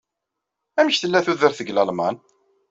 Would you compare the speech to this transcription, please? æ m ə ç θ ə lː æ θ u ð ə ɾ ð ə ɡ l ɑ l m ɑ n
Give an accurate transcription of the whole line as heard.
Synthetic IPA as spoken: æ m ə ç θ ə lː æ θ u ð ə ɾ θ ə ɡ l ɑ l m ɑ n